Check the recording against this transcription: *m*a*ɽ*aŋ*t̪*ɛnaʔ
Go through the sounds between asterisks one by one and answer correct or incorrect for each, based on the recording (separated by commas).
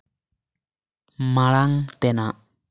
correct, incorrect, correct